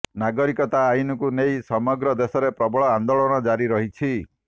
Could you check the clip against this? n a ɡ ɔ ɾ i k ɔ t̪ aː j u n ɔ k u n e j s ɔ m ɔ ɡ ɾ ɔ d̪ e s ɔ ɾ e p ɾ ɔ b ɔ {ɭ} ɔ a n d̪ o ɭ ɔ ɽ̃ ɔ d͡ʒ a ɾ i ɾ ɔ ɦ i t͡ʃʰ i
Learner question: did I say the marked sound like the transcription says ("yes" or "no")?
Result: yes